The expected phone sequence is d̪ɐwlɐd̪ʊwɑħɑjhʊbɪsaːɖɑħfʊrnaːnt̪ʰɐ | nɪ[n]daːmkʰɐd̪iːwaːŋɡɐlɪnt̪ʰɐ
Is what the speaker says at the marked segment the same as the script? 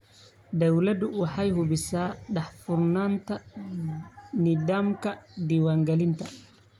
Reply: no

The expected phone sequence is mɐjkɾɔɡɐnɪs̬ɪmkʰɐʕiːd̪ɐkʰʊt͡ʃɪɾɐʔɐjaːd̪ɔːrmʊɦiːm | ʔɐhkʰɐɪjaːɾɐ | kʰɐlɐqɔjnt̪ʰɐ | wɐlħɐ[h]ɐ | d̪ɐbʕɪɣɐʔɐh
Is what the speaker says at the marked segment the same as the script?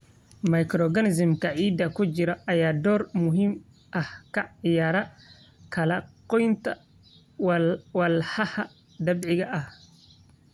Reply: yes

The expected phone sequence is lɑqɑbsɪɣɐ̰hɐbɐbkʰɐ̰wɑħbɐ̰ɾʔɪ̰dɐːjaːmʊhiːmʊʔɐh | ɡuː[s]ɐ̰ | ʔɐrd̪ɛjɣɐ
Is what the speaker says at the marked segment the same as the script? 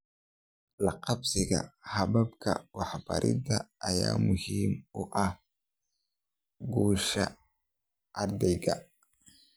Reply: no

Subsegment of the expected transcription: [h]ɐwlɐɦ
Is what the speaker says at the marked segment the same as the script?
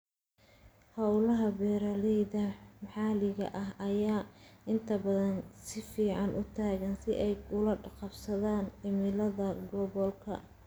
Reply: yes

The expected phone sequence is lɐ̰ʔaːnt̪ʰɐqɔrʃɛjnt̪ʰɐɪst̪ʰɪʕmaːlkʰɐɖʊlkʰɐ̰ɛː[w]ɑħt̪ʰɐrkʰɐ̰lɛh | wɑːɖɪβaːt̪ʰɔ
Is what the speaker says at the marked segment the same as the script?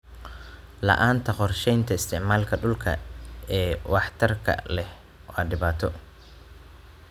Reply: yes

